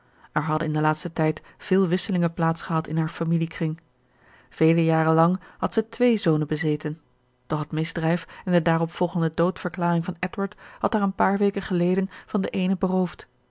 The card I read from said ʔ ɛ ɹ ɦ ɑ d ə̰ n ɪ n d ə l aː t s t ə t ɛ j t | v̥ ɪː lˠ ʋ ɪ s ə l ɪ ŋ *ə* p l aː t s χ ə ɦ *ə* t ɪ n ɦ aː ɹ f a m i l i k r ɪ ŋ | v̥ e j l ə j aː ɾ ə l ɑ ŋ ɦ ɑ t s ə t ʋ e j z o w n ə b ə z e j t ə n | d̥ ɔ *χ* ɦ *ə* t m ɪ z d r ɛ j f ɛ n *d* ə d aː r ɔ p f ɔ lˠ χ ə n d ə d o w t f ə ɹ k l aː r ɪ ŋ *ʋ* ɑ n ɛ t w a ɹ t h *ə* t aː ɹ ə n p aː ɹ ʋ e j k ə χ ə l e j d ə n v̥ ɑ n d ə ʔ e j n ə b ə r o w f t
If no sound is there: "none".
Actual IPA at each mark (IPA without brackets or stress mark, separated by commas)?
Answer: ə, ɑ, χ, ə, d, v, ɑ